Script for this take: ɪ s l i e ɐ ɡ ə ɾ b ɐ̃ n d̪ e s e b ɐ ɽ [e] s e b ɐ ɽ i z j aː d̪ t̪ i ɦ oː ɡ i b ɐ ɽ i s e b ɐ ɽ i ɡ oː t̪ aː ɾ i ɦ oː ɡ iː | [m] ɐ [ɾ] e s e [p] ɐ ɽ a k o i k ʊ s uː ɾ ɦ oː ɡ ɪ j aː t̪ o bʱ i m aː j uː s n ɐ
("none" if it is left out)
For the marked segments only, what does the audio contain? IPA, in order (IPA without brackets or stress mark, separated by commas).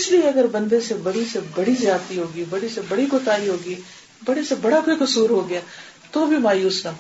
i, b, ɽ, b